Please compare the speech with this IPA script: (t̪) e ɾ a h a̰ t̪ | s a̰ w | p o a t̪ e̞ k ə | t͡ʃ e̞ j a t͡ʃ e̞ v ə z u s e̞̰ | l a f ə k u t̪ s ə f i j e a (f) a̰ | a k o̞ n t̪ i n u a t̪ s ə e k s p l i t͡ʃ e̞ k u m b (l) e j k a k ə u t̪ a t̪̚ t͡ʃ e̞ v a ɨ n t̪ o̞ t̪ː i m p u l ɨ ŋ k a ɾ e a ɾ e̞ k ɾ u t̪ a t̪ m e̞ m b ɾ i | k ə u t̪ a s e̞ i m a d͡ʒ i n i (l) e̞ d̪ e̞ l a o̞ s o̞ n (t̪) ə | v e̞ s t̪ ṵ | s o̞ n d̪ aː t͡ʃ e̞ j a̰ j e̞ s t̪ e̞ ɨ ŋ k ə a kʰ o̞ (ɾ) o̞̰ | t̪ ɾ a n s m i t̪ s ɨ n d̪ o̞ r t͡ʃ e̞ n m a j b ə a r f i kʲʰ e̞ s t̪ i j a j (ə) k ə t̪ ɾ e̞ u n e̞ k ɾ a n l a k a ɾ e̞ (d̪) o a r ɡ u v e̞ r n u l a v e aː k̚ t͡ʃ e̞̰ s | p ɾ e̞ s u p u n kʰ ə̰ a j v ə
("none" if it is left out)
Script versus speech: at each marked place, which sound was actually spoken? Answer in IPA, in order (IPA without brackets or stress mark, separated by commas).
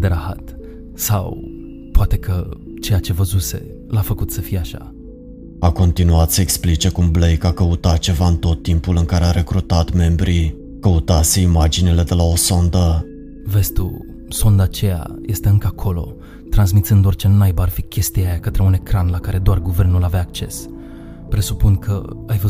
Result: d̪, ʃ, l, l, d̪, l, a, d̪